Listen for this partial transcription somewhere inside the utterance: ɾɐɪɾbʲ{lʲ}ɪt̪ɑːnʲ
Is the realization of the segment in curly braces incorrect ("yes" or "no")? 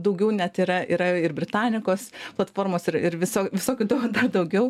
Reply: yes